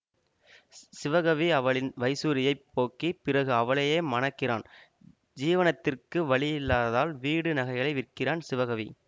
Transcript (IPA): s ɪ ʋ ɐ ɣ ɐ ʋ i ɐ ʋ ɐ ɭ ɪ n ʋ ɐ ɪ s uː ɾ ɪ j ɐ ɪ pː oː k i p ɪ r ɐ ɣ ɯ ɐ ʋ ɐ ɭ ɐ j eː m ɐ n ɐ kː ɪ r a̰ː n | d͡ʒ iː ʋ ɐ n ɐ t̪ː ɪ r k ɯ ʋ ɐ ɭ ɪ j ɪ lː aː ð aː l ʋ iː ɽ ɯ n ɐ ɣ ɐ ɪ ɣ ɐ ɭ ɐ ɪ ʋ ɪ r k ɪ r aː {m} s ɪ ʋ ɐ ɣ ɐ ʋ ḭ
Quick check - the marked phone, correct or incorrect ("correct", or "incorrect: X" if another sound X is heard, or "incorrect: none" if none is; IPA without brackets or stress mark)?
incorrect: n